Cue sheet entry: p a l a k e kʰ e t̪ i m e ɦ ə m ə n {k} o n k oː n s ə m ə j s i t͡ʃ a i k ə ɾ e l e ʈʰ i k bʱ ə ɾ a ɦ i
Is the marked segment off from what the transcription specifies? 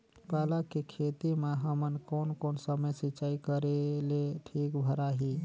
no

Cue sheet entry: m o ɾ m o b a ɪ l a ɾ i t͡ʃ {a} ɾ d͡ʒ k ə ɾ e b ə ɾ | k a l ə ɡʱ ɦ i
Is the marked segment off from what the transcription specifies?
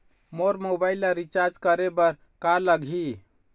no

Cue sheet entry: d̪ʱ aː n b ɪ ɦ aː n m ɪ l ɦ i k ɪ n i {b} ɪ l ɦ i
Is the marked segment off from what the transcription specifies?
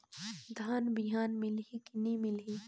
yes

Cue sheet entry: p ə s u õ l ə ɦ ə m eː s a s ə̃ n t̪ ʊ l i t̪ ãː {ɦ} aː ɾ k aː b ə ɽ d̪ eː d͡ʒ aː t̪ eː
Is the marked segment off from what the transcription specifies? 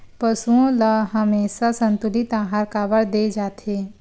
no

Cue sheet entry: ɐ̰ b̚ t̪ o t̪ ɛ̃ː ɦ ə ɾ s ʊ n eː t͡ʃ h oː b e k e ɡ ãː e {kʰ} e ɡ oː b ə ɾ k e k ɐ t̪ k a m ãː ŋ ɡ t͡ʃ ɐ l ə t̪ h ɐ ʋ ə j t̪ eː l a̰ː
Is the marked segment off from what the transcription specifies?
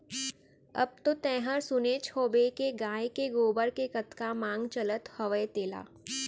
yes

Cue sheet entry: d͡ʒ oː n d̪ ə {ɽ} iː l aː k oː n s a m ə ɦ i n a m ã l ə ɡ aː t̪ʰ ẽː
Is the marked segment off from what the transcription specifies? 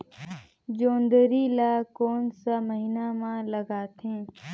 yes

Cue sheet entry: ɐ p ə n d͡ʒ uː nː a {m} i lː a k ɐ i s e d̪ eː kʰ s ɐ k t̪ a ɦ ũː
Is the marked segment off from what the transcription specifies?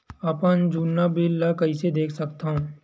yes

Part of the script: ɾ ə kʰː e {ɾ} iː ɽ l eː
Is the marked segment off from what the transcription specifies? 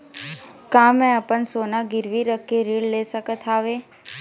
no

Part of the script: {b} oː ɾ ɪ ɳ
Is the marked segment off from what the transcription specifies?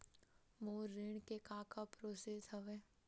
yes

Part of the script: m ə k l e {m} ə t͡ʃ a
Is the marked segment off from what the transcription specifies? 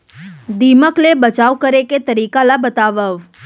yes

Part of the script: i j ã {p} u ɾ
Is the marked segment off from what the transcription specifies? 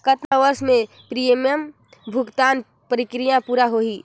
no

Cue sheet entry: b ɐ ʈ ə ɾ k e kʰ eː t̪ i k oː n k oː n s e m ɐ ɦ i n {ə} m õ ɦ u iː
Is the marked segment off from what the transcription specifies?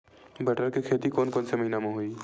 yes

